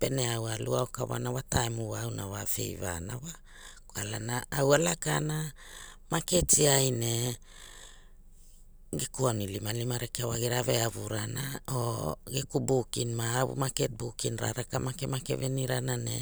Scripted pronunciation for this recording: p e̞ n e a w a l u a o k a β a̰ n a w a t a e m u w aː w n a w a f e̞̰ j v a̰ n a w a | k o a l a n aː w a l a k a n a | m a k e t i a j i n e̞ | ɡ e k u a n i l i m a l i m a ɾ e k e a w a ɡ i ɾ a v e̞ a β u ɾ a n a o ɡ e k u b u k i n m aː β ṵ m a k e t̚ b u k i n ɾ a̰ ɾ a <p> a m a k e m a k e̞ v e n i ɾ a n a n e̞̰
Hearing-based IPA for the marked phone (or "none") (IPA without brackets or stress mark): k